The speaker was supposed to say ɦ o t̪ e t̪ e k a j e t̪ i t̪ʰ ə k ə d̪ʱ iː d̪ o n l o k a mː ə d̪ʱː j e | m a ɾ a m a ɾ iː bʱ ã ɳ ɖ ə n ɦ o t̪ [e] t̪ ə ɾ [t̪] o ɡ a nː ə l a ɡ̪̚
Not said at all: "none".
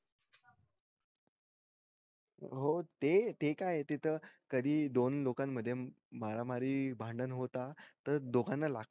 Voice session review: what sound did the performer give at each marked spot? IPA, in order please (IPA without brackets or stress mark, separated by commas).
a, d̪